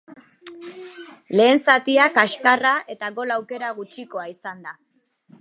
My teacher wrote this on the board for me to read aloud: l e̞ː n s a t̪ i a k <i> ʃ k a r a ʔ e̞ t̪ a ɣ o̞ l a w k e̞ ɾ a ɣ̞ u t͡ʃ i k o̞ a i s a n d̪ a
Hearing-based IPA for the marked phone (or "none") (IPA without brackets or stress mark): a